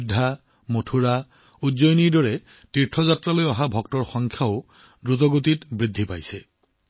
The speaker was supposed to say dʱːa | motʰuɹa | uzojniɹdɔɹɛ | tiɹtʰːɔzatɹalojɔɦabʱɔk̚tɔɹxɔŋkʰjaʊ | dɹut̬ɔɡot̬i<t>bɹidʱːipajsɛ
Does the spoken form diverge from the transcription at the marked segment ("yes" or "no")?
no